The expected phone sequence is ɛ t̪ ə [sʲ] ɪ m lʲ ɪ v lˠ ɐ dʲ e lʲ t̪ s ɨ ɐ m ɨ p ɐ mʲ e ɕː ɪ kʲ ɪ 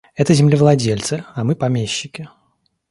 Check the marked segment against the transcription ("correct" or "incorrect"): incorrect